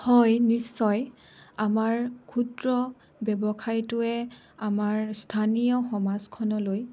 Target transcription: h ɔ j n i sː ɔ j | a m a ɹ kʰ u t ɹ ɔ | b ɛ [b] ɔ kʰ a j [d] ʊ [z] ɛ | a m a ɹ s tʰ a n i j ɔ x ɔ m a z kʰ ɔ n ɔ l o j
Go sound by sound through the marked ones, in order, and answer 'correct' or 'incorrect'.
correct, incorrect, incorrect

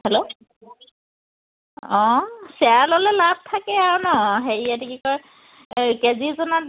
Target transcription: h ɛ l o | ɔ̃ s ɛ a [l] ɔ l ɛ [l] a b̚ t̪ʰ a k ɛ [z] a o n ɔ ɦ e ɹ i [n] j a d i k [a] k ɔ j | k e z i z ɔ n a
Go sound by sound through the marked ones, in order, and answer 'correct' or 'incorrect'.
correct, correct, incorrect, incorrect, incorrect

